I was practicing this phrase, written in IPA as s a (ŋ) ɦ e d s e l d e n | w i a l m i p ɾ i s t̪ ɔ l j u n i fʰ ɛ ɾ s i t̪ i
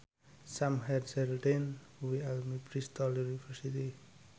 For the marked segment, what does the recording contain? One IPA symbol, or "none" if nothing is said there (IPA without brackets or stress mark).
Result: m